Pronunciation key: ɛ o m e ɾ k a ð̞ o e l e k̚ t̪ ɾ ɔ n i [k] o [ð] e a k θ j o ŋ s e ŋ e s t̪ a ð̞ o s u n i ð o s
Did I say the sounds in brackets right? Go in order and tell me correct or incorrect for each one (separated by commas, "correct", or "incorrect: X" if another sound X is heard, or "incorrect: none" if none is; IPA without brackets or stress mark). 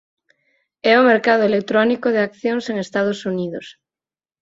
correct, correct